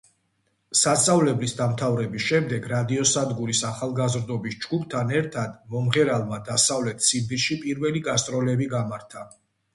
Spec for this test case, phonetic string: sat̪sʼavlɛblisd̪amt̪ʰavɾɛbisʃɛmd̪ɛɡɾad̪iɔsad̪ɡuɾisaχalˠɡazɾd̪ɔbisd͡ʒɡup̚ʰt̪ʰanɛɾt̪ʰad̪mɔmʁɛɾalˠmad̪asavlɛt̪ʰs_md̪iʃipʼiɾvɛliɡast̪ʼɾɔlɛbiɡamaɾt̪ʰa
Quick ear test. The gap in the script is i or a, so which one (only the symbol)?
i